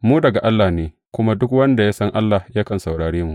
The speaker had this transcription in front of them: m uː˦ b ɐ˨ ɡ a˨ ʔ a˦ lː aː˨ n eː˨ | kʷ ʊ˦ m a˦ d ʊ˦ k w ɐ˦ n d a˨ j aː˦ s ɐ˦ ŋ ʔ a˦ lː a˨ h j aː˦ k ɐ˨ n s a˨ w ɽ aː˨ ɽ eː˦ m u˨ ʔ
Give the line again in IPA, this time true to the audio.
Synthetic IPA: m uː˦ d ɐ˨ ɡ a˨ ʔ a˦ lː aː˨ n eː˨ | kʷ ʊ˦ m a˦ d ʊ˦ k w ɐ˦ n d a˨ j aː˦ s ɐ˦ ŋ ʔ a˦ lː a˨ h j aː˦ k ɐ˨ n s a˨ w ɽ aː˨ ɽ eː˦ m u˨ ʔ